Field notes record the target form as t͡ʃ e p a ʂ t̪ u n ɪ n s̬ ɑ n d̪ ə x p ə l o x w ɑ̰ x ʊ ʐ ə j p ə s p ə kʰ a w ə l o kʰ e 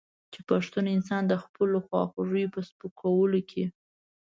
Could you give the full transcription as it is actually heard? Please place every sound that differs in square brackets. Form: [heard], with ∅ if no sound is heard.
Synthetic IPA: t͡ʃ e p a ʂ t̪ u n ɪ n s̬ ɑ n d̪ ə x p ə l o x w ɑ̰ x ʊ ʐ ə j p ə s p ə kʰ a w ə l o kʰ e

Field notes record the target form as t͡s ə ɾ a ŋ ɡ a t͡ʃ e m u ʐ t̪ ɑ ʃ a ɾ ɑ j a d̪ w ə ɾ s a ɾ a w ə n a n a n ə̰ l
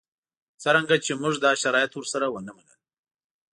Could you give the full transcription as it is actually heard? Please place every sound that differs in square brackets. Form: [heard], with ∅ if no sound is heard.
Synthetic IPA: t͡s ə ɾ a ŋ ɡ a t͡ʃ e m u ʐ [d̪] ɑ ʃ a ɾ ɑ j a [t̪] w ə ɾ s a ɾ a w ə n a [m] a n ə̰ l

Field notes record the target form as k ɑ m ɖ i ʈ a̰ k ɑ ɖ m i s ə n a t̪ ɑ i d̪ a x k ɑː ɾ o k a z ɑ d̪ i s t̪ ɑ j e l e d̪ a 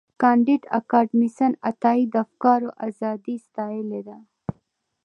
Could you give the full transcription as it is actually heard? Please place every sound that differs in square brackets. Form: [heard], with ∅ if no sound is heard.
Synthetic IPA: k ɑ [ɳ] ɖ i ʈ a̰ k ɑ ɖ m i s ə n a t̪ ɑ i d̪ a [f] k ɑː ɾ o [ʔ] a z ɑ d̪ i s t̪ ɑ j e l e d̪ a

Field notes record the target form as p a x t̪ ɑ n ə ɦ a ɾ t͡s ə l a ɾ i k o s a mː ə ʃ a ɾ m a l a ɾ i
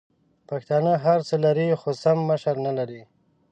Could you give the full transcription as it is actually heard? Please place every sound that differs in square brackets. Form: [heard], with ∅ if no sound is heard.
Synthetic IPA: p a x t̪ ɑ n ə ɦ a ɾ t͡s ə l a ɾ i [x] o s a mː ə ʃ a ɾ [n] a l a ɾ i

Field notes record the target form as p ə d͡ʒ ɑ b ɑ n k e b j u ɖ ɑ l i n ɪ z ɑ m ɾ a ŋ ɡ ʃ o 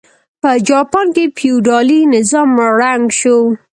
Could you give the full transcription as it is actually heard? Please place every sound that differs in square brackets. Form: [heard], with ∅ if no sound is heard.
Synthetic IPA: p ə d͡ʒ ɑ [p] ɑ n k e [p] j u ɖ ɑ l i n ɪ z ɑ m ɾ a ŋ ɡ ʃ o

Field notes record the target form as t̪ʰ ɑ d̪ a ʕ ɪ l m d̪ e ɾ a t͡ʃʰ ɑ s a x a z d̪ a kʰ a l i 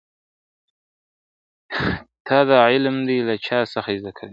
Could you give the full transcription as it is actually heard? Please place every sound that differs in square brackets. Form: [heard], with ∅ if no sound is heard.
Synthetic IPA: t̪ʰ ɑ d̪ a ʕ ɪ l m d̪ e [l] a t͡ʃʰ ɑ s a x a z d̪ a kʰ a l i

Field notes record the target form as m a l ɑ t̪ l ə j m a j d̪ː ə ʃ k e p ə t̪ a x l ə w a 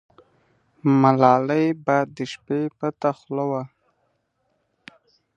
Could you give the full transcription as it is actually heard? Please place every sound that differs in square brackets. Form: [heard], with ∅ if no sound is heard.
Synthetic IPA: m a l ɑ [∅] l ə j [b] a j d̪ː ə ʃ [p] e p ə t̪ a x l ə w a

